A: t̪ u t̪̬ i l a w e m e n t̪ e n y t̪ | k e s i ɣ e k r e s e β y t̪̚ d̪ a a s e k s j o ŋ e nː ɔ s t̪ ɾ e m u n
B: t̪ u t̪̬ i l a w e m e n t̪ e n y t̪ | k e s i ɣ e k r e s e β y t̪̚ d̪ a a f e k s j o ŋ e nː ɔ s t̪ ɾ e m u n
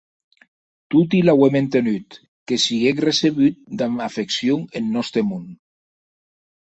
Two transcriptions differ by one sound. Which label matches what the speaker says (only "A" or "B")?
B